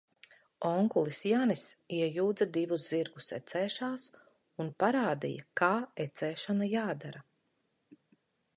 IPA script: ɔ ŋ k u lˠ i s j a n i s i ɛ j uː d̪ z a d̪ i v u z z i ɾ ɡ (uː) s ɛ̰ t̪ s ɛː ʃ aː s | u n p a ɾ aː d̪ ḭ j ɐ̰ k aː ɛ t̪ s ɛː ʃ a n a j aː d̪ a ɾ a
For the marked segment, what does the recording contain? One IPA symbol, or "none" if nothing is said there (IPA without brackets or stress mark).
u